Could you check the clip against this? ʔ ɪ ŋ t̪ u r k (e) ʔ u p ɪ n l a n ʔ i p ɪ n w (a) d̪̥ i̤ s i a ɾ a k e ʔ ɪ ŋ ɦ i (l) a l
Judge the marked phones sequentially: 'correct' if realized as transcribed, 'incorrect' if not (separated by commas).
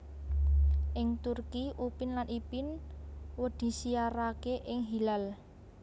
incorrect, incorrect, correct